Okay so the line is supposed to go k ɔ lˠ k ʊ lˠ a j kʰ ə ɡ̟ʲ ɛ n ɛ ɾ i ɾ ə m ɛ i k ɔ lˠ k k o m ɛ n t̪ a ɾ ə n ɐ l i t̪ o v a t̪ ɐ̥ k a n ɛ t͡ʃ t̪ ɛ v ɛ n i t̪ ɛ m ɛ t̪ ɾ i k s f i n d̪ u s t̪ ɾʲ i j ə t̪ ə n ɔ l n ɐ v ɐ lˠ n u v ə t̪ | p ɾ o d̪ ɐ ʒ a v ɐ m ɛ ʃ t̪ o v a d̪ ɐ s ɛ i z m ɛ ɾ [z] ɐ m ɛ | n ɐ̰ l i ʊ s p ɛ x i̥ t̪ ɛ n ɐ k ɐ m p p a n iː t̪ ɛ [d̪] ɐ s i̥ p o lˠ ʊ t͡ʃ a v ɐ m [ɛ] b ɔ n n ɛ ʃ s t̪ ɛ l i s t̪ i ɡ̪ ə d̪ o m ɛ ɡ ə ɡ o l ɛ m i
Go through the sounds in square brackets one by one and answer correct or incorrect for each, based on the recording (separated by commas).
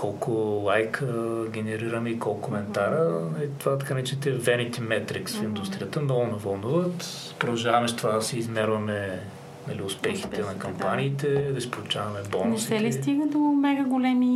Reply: incorrect, correct, correct